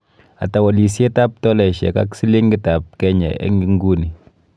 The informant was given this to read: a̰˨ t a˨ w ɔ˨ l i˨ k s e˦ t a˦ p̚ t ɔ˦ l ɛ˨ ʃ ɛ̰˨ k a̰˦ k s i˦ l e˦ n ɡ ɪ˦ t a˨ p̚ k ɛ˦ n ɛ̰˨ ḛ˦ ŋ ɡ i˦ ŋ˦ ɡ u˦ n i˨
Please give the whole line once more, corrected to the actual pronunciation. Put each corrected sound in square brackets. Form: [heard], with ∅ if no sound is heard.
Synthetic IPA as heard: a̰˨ t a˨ w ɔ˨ l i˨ [∅] s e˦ t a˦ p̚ t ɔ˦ l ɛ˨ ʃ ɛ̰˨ k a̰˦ k s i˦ l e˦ [ŋ] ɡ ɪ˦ t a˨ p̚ k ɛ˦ [ɲ] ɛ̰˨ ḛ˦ ŋ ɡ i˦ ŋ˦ ɡ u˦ n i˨